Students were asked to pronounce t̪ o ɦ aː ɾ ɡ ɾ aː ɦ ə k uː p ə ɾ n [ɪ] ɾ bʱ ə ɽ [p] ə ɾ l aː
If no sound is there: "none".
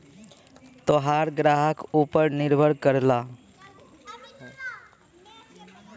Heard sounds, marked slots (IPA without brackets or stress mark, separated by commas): ɪ, k